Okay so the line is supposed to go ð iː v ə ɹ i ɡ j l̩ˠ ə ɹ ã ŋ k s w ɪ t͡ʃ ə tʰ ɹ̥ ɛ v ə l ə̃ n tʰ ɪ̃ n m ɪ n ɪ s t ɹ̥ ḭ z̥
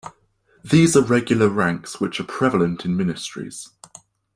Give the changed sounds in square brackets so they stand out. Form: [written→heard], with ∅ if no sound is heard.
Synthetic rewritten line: ð iː [v→z] ə ɹ [i→ɛ] ɡ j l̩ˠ ə ɹ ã ŋ k s w ɪ t͡ʃ ə [tʰ→pʰ] ɹ̥ ɛ v ə l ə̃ n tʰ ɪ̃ n m ɪ n ɪ s t ɹ̥ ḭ z̥